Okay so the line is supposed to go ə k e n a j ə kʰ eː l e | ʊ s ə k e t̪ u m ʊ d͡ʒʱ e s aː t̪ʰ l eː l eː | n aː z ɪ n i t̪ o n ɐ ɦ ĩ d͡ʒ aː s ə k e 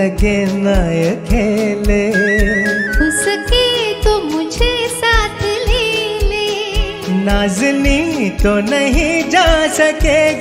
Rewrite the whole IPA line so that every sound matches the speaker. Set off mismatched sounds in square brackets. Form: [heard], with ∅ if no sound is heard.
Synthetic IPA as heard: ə k e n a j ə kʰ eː l e | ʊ s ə k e t̪ [o] m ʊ d͡ʒʱ e s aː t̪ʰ l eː l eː | n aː z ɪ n i t̪ o n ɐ ɦ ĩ d͡ʒ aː s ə k e